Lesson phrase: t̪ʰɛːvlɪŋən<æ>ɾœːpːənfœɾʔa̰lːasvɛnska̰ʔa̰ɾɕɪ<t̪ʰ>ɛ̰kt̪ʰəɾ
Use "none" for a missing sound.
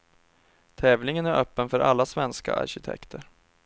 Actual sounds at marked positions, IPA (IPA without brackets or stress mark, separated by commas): æ, t̪ʰ